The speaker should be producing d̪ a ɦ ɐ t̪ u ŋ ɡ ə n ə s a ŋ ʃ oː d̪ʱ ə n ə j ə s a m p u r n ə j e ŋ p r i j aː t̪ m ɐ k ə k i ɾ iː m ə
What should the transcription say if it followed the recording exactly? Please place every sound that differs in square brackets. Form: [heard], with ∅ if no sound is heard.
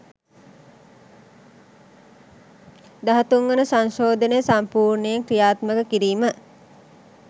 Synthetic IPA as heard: d̪ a ɦ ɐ t̪ u ŋ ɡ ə n ə s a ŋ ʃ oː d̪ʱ ə n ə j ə s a m p [uː] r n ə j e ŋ [k] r i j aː t̪ m [ə] k ə k i ɾ iː m ə